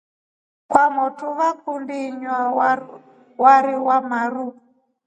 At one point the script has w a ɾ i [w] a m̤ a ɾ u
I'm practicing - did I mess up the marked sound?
no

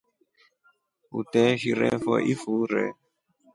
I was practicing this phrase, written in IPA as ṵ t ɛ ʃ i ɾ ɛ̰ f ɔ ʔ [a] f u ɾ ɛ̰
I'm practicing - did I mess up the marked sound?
yes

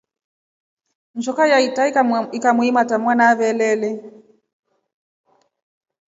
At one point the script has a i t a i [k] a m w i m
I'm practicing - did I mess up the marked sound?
no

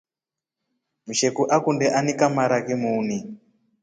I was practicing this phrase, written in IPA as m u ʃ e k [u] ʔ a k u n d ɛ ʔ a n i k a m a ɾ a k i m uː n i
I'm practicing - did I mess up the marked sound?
no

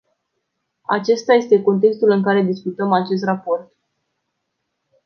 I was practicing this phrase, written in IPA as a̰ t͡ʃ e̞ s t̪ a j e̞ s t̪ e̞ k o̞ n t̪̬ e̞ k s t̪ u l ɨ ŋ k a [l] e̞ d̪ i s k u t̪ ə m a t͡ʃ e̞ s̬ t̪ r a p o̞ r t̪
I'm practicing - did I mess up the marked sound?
yes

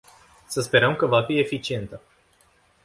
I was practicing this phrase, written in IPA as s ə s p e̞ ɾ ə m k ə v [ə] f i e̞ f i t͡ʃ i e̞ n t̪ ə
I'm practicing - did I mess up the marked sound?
yes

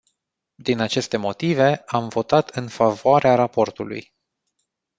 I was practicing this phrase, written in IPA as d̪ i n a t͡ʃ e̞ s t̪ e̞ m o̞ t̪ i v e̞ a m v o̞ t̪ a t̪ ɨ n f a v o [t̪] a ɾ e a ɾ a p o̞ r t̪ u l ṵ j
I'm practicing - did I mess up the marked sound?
yes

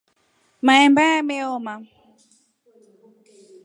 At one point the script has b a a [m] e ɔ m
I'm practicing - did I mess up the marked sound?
no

